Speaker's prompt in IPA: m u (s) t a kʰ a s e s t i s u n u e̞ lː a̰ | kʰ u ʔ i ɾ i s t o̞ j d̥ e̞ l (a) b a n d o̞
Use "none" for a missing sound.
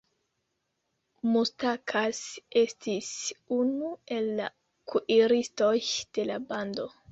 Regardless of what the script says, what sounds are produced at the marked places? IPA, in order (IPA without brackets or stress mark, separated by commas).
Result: s, a